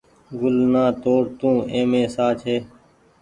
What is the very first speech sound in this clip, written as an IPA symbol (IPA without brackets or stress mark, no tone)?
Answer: ɡ